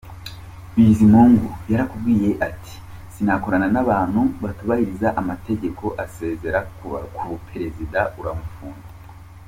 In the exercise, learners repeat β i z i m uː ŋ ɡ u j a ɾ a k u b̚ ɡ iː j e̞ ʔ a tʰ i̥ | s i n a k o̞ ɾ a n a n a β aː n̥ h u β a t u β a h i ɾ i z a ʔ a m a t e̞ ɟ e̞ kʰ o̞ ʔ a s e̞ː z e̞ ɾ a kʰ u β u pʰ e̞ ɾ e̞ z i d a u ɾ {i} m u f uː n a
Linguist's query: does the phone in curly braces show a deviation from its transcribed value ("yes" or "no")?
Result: yes